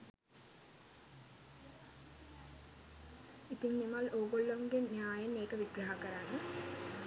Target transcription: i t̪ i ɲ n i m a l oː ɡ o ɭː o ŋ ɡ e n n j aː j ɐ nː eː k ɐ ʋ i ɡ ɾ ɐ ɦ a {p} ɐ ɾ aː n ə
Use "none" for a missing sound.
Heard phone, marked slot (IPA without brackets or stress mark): k